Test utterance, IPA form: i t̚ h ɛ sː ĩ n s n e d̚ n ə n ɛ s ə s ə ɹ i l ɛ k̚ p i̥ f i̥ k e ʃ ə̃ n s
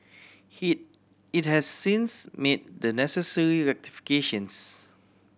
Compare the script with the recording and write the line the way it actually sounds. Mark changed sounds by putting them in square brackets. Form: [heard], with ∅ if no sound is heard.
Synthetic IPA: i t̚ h ɛ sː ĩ n s [m] e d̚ [d] ə n ɛ s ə s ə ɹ i [ɹ] ɛ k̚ [t] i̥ f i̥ k e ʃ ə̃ n s